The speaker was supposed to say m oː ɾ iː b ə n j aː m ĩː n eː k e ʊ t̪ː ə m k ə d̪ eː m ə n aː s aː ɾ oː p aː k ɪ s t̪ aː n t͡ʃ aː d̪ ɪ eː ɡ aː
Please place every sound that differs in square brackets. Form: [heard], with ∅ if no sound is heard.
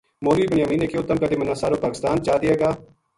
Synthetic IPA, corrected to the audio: m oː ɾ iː b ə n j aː m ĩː n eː k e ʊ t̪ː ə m k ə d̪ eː m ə n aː s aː ɾ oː p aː k ɪ s t̪ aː n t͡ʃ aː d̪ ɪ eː ɡ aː